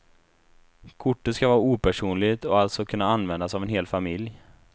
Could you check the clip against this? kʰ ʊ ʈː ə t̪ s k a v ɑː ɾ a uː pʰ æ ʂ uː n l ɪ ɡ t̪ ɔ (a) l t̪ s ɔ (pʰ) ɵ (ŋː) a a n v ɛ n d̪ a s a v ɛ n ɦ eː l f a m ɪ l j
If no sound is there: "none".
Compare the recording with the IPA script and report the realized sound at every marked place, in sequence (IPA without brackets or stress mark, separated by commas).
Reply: a, kʰ, nː